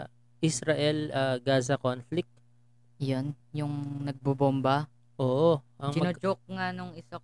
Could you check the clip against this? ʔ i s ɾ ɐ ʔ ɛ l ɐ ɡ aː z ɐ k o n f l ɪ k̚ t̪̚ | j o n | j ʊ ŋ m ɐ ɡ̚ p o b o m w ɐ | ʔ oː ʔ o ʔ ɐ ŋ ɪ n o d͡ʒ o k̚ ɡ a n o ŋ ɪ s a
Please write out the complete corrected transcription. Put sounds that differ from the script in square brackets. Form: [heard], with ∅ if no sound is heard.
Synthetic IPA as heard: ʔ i s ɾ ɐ ʔ ɛ l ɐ ɡ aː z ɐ k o n f l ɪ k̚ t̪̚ | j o n | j ʊ ŋ [n] ɐ ɡ̚ [b] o b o m [b] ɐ | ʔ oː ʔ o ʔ ɐ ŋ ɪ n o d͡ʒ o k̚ [ŋ] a n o ŋ ɪ s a